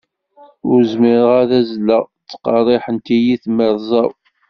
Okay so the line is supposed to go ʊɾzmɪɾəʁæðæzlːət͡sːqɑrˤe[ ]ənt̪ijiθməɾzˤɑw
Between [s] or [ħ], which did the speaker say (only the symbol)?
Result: ħ